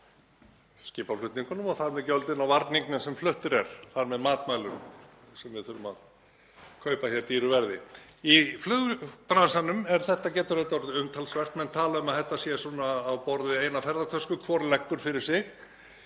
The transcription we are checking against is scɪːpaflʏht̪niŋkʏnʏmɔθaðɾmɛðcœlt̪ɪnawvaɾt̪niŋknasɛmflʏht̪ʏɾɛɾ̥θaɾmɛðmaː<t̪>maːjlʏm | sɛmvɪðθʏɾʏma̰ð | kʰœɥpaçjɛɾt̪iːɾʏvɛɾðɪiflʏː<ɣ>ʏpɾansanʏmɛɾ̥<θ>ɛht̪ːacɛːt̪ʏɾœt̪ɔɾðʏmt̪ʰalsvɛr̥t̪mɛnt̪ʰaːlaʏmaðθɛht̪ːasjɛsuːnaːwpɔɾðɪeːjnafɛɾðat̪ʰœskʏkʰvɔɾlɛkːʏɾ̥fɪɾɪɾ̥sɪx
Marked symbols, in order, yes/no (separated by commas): yes, yes, yes